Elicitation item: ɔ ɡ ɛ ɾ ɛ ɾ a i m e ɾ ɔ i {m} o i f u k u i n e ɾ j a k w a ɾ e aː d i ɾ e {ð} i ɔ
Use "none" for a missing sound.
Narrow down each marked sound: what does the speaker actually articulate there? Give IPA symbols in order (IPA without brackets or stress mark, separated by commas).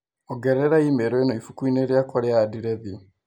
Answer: n, ð